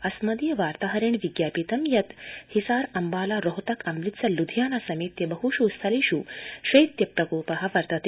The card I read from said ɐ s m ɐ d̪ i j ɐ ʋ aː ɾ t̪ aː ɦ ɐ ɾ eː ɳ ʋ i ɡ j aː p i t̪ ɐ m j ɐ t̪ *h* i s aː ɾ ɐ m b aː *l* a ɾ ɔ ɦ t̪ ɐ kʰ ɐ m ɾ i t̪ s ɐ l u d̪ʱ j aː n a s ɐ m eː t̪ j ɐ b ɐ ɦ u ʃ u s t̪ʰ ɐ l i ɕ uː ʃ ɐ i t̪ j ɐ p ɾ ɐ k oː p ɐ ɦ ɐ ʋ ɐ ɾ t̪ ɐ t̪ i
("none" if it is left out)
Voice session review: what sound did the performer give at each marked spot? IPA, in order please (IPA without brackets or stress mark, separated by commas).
h, l